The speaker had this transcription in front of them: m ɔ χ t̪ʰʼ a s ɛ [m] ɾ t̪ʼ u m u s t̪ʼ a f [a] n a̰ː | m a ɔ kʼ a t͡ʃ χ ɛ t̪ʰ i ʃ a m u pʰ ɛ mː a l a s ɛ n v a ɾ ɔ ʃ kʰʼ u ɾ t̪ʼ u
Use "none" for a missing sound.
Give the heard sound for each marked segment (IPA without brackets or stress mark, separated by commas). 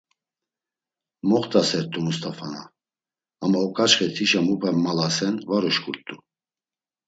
none, a